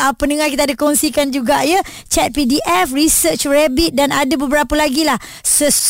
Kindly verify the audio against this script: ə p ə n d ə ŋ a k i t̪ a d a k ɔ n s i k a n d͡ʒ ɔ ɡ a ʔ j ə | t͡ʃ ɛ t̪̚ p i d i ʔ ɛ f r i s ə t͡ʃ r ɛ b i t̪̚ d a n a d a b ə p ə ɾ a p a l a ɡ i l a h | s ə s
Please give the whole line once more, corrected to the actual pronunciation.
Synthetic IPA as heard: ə p ə n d ə ŋ a k i t̪ a d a k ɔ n s i k a n d͡ʒ u ɡ a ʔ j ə | t͡ʃ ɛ t̪̚ p i d i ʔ ɛ f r i s ə t͡ʃ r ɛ b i t̪̚ d a n a d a b ə b ə ɾ a p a l a ɡ i l a h | s ə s